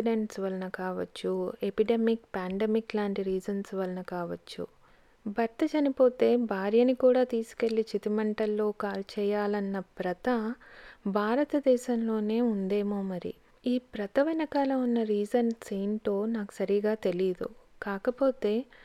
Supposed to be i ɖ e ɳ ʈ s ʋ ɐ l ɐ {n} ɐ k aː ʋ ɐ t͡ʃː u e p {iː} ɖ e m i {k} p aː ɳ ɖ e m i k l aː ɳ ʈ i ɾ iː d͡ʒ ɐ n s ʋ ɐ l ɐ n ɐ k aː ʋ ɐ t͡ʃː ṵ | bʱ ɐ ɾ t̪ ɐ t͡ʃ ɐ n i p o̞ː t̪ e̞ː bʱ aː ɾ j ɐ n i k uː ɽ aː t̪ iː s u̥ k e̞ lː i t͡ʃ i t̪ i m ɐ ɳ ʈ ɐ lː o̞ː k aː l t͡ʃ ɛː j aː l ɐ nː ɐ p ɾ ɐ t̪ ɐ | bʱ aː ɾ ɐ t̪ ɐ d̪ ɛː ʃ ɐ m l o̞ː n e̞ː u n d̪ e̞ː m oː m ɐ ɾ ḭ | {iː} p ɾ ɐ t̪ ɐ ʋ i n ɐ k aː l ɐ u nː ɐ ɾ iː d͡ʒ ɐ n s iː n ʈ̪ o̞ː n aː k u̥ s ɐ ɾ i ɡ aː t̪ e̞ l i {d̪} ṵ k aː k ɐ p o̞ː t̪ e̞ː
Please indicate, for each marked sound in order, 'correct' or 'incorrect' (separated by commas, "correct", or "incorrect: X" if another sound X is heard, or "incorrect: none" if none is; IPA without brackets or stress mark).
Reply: correct, incorrect: i, correct, correct, correct